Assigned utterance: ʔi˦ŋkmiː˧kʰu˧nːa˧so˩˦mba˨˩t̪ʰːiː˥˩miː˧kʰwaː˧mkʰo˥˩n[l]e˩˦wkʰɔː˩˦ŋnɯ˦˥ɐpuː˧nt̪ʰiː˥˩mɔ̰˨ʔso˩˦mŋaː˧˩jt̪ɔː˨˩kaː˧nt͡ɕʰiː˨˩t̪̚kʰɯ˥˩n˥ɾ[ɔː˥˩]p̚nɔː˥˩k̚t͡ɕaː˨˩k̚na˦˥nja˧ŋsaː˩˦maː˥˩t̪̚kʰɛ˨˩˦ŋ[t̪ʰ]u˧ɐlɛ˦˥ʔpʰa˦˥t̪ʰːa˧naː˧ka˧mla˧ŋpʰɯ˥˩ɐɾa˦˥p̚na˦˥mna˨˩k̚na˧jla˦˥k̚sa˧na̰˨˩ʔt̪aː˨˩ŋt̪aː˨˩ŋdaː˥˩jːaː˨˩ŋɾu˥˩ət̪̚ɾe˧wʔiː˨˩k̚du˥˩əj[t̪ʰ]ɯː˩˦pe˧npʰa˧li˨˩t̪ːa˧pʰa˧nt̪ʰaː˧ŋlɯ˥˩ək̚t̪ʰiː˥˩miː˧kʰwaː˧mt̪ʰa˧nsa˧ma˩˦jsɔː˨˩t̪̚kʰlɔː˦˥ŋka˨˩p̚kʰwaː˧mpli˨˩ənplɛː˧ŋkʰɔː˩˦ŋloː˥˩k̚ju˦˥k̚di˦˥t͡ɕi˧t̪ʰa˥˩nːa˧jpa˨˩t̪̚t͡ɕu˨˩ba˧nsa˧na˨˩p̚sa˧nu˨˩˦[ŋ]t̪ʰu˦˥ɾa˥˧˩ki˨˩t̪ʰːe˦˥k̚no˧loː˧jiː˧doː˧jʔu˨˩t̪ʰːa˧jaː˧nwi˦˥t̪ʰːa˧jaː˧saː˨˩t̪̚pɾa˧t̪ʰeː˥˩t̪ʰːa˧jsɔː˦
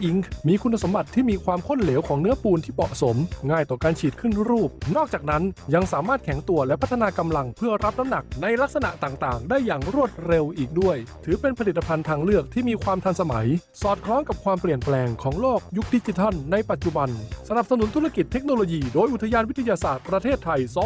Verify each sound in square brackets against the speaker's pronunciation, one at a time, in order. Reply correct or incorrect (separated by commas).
correct, incorrect, incorrect, correct, incorrect